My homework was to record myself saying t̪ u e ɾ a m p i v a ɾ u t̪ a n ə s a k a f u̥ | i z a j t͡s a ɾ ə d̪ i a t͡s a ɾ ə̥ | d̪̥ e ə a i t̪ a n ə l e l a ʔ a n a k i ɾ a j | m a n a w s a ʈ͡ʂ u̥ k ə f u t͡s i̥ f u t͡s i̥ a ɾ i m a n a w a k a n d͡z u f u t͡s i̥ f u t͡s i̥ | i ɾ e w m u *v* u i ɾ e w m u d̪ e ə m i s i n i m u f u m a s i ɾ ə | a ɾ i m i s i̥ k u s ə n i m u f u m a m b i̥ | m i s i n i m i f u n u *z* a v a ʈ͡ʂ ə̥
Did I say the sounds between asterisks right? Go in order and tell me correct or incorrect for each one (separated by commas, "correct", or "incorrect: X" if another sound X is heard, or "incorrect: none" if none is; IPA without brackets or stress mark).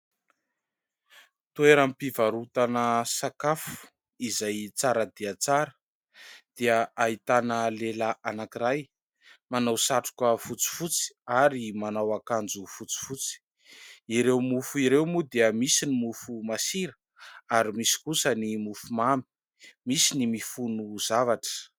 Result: incorrect: f, correct